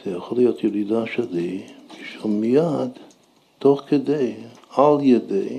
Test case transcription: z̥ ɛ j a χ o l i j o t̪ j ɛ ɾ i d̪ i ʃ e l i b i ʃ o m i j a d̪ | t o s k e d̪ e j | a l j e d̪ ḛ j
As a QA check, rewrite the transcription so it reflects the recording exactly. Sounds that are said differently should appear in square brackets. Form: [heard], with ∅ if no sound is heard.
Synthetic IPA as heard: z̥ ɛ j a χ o l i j o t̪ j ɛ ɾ i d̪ [a] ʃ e l i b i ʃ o m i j a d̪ | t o [χ] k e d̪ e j | a l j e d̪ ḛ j